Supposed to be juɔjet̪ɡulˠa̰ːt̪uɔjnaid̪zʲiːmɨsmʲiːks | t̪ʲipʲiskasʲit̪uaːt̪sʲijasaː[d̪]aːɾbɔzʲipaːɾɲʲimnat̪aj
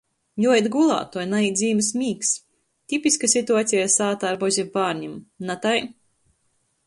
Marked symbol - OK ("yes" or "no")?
no